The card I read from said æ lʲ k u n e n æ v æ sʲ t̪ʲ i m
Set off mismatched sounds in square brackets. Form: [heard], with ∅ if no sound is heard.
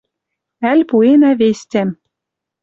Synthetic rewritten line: æ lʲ [p] u [∅] e n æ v [e] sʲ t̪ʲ [æ] m